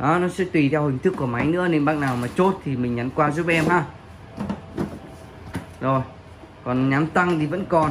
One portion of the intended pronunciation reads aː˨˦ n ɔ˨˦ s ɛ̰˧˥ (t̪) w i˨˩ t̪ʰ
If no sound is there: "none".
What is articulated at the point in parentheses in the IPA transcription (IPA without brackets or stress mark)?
t̪